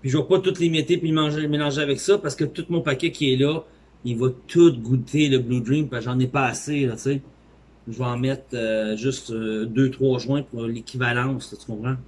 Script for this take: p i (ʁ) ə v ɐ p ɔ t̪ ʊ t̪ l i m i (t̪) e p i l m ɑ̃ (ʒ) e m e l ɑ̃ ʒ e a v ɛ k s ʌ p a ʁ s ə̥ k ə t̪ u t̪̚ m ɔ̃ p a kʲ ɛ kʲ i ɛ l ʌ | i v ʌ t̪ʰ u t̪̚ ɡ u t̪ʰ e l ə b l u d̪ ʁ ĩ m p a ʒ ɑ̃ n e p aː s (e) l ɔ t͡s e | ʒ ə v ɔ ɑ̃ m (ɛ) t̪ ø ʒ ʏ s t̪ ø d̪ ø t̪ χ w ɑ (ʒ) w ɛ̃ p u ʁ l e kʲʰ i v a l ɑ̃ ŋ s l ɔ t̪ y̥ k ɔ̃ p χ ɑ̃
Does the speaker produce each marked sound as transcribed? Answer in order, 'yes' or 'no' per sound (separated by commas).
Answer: no, yes, yes, yes, yes, yes